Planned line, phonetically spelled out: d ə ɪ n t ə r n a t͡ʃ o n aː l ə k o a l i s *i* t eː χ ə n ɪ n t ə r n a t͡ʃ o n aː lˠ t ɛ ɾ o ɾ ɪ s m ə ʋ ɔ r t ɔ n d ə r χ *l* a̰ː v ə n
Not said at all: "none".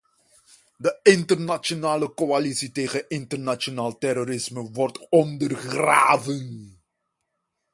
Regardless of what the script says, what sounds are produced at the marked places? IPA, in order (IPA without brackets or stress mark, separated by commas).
i, r